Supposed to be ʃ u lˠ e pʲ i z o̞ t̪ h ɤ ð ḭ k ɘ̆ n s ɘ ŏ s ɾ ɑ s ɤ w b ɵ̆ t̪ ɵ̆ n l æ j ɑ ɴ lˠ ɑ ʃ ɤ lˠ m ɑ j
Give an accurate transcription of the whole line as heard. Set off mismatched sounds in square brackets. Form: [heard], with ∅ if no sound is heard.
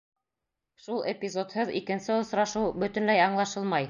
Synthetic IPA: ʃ u lˠ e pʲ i z o̞ t̪ h ɤ ð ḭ k ɘ̆ n s ɘ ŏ s ɾ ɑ [ʃ] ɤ w b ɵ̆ t̪ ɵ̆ n l æ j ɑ ɴ lˠ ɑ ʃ ɤ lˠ m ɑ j